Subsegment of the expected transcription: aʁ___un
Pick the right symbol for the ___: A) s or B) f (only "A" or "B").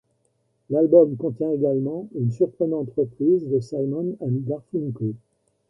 B